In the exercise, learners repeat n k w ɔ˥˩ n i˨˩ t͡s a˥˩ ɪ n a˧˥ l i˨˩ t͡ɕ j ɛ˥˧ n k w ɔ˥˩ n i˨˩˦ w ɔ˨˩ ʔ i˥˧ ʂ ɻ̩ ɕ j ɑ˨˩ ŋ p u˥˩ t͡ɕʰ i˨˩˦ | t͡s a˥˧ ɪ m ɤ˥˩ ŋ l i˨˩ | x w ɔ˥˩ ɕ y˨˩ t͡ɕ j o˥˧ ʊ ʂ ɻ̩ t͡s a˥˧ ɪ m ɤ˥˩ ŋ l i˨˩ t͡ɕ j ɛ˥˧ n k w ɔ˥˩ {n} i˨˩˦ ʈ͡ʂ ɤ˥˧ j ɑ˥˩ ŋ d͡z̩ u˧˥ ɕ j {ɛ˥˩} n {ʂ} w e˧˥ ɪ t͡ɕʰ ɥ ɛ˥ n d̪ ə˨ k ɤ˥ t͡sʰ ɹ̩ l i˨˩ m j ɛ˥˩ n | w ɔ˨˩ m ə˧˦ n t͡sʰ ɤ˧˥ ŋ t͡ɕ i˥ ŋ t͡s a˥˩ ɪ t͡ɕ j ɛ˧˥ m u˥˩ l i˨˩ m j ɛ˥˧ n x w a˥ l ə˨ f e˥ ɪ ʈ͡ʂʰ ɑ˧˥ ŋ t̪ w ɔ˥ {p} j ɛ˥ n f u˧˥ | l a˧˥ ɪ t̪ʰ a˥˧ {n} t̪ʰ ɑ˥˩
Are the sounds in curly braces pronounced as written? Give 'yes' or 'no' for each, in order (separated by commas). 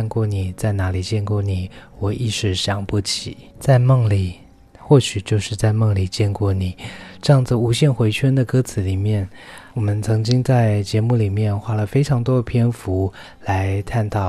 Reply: yes, yes, no, no, yes